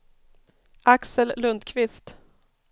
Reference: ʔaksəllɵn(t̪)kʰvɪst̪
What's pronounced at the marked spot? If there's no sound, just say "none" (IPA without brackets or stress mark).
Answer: d̪